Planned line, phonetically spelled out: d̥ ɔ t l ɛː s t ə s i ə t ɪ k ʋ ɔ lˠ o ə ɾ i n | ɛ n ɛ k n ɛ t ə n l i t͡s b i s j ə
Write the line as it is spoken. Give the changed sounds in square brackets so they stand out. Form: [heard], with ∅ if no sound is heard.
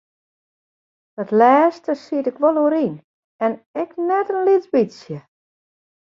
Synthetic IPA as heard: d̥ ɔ t l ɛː s t ə s i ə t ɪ k ʋ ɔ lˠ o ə ɾ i n | ɛ n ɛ k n ɛ t ə n l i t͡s b i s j ə